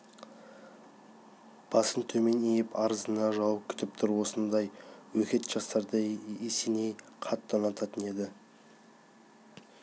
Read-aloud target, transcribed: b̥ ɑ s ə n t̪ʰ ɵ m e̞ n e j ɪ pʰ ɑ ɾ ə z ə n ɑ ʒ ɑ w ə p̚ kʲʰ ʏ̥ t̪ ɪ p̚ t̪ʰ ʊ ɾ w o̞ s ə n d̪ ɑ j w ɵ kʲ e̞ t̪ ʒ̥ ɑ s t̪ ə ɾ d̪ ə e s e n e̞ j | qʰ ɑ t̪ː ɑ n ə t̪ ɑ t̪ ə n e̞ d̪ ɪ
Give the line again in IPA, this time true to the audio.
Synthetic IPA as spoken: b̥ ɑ s ə n t̪ʰ ɵ m e̞ n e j ɪ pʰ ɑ ɾ ə z ə n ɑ ʒ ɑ w ə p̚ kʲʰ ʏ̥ t̪ ɪ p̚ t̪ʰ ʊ ɾ w o̞ s ə n d̪ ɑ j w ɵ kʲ e̞ t̪ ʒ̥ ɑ s t̪ ɑ ɾ d̪ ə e s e n e̞ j | qʰ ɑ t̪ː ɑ n ɑ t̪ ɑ t̪ ə n e̞ d̪ ɪ